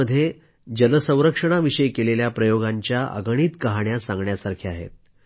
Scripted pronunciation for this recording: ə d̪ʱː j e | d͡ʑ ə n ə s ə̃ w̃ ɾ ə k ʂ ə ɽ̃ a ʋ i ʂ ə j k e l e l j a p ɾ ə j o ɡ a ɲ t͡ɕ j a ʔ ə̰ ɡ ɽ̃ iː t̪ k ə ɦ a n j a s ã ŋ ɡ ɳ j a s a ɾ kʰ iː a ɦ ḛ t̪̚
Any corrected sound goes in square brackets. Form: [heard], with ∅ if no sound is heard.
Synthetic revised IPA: ə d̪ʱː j e | d͡ʑ ə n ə s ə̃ w̃ ɾ ə k ʂ ə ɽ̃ a ʋ i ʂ ə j k e l e l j a p ɾ ə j o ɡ a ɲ t͡ɕ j a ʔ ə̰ ɡ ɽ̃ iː t̪ k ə ɦ a [ɳ] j a s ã ŋ ɡ ɳ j a s a ɾ kʰ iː a ɦ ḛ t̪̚